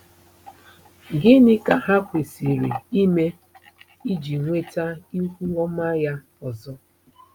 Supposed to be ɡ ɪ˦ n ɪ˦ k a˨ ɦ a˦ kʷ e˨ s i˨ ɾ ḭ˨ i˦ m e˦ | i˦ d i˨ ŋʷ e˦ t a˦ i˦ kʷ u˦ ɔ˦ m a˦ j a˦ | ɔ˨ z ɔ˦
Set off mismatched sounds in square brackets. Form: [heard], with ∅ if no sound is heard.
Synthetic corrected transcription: ɡ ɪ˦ n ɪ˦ k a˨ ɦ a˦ kʷ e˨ s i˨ ɾ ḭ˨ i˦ m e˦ | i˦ [d͡ʒ] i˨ ŋʷ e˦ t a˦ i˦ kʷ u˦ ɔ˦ m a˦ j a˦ | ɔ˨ z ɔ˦